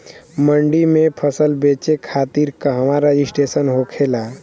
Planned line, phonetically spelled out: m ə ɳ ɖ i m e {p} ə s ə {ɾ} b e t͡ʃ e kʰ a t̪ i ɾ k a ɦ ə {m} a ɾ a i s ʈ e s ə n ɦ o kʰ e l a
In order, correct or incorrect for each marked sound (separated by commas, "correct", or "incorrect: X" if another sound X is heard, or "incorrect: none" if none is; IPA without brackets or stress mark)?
incorrect: pʰ, incorrect: l, correct